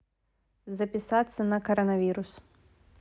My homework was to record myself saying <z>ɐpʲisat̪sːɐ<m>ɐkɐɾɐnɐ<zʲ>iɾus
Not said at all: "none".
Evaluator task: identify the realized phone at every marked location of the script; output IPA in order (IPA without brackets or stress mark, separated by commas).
z, n, vʲ